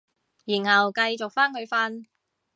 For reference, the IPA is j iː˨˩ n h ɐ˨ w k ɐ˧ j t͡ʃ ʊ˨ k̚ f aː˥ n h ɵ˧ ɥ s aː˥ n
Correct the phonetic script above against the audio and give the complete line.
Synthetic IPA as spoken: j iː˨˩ n h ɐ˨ w k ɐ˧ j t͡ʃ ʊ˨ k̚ f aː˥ n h ɵ˧ ɥ f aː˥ n